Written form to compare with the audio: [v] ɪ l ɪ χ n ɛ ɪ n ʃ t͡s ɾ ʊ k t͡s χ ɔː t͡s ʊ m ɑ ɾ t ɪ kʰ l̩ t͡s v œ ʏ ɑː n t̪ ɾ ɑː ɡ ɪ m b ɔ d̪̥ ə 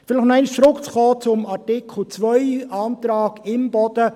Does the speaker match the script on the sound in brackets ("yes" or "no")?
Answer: no